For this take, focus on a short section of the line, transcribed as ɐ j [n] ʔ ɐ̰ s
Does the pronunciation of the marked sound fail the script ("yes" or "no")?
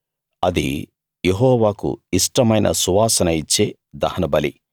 no